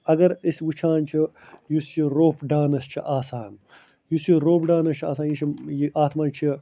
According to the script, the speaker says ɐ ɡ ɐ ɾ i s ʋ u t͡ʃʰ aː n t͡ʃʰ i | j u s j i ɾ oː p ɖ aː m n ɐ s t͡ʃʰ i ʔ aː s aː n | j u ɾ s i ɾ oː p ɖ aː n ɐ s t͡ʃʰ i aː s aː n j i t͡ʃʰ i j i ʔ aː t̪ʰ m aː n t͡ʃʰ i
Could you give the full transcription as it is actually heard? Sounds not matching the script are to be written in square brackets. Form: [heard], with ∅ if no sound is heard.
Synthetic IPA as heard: ɐ ɡ ɐ ɾ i s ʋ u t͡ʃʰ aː n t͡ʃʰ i | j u s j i ɾ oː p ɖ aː [∅] n ɐ s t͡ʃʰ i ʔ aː s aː n | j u [∅] s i ɾ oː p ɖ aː n ɐ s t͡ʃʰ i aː s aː n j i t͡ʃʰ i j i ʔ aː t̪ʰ m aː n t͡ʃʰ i